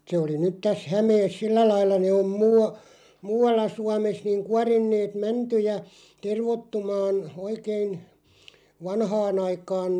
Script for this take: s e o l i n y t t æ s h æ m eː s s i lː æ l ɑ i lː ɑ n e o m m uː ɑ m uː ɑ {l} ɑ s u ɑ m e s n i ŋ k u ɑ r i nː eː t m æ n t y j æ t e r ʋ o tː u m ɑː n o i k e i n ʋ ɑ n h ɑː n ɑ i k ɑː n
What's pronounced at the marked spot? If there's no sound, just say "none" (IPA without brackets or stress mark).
lː